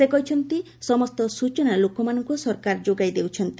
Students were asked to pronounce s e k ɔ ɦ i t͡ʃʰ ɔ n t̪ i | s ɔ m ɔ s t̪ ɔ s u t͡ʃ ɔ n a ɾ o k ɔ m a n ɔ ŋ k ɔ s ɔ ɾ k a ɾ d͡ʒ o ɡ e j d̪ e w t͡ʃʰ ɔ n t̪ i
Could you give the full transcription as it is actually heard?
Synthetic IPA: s e k ɔ ɦ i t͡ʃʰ ɔ n t̪ i | s ɔ m ɔ s t̪ ɔ s u t͡ʃ ɔ n a l o k ɔ m a n ɔ ŋ k u s ɔ ɾ k a ɾ d͡ʒ o ɡ a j d̪ e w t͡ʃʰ ɔ n t̪ i